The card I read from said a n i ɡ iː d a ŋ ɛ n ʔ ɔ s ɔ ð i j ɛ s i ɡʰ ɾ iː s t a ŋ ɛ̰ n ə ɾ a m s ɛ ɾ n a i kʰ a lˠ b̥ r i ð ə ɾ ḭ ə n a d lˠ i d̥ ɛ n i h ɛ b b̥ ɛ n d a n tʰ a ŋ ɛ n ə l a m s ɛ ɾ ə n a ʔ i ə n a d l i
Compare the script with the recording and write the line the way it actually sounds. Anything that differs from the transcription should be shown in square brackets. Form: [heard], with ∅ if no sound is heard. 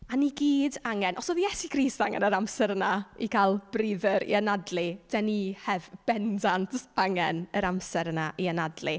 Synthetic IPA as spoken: a n i ɡ iː d a ŋ ɛ n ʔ ɔ s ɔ ð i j ɛ s i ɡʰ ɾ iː s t a ŋ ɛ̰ n ə ɾ a m s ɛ ɾ n a i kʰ a lˠ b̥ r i ð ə ɾ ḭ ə n a d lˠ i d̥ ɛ n i h ɛ [v] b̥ ɛ n d a n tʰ a ŋ ɛ n ə [ɾ] a m s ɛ ɾ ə n a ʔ i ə n a d l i